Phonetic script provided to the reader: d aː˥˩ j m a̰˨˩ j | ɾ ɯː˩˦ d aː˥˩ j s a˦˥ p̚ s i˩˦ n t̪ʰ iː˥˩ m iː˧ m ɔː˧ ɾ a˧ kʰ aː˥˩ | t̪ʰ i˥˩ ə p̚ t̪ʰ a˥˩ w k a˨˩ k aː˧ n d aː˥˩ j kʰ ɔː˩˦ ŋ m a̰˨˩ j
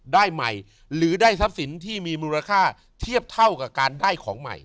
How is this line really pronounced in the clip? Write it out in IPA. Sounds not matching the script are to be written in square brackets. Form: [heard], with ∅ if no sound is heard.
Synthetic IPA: d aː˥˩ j m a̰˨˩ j | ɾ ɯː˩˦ d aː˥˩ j s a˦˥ p̚ s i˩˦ n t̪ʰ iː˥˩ m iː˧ m [uː˧] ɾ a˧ kʰ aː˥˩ | t̪ʰ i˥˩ ə p̚ t̪ʰ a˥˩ w k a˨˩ k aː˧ n d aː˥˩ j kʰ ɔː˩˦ ŋ m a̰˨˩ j